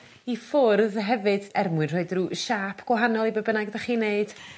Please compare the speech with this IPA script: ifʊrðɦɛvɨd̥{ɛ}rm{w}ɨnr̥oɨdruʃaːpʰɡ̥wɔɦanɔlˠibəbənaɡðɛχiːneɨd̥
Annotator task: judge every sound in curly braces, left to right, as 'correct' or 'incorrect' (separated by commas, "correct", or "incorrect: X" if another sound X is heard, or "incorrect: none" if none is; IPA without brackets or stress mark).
correct, correct